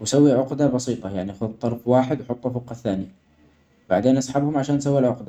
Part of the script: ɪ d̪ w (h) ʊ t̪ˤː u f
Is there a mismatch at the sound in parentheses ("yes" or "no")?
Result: yes